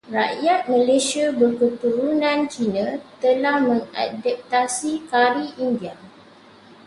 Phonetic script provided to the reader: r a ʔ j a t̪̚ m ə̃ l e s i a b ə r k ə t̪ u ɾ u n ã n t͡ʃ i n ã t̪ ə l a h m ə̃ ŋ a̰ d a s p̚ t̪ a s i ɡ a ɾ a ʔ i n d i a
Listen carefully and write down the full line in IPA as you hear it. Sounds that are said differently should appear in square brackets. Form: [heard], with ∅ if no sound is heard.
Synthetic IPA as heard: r a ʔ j a t̪̚ m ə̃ l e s i a b ə r k ə t̪ u ɾ u n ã n t͡ʃ i n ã t̪ ə l a h m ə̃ ŋ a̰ d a [∅] p̚ t̪ a s i [k] a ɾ [i] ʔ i n d i a